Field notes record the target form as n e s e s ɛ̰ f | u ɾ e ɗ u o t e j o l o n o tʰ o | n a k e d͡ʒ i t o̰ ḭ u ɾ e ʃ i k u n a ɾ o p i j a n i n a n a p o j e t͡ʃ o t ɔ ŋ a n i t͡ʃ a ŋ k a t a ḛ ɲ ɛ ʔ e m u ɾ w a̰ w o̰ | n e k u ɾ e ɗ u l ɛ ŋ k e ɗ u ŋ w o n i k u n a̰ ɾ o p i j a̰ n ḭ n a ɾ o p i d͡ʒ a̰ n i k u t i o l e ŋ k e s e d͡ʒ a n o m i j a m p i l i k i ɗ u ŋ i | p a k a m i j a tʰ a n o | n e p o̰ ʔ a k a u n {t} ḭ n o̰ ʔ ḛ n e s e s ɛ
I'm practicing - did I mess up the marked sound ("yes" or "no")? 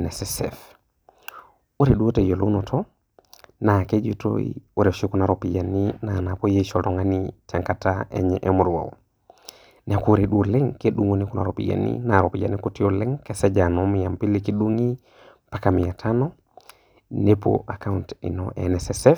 no